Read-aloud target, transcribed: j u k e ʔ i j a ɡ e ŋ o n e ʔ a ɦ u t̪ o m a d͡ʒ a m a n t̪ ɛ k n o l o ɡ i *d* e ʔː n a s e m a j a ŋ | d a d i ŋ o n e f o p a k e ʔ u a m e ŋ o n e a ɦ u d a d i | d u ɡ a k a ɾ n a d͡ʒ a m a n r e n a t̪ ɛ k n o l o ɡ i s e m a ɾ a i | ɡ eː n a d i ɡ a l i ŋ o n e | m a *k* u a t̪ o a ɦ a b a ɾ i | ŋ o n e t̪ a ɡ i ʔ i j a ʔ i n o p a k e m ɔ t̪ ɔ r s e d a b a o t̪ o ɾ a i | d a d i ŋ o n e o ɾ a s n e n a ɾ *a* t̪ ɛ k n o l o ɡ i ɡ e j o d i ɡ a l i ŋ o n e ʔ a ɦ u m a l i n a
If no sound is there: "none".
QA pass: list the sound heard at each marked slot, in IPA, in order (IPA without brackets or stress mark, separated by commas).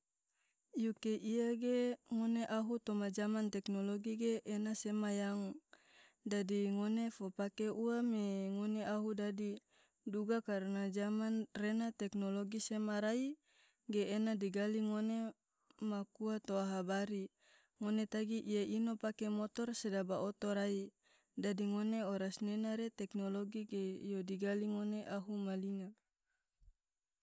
ɡ, k, e